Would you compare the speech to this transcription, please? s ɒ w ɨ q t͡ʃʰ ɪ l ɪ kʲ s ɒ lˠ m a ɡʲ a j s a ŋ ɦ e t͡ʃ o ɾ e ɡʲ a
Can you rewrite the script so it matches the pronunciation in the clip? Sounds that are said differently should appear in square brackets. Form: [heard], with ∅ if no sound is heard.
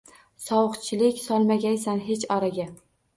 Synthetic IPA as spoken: s ɒ w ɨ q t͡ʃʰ ɪ l ɪ kʲ s ɒ lˠ m a ɡʲ a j s a [n] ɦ e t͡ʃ [ɒ] ɾ [a] ɡʲ a